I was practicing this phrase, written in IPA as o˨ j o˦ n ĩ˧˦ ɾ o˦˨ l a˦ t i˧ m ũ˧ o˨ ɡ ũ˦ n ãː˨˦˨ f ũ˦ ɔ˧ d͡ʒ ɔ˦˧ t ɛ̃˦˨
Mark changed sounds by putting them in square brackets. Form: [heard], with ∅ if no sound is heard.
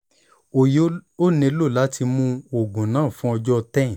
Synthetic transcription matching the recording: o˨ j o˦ n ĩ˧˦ [l] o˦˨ l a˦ t i˧ m ũ˧ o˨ ɡ [ũ˨] n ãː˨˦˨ f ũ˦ ɔ˧ d͡ʒ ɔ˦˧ t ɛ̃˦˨